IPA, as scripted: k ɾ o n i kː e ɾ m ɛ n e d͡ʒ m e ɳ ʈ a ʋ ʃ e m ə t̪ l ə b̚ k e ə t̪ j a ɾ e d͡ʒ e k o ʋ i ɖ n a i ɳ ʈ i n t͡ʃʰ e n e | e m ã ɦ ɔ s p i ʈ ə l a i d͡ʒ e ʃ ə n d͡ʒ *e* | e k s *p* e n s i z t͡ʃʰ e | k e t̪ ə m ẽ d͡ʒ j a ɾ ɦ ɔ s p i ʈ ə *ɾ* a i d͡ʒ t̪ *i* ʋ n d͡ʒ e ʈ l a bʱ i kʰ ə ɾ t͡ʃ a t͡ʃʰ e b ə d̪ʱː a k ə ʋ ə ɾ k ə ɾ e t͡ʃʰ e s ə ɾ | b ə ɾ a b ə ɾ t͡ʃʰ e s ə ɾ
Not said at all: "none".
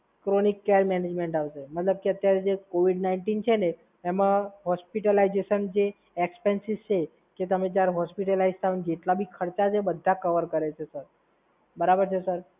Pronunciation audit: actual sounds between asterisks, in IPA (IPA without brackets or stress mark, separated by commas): e, p, l, a